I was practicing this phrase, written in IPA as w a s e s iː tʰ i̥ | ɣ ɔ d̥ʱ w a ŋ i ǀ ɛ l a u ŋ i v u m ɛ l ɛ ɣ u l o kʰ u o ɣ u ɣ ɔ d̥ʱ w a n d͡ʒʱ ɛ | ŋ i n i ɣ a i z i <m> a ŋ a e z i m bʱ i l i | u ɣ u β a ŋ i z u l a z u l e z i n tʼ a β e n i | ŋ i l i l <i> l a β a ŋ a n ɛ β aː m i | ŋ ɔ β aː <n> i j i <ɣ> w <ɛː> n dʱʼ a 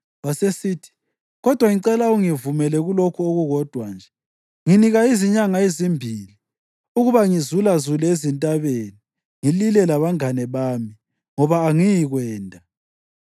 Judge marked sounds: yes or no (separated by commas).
no, no, no, yes, yes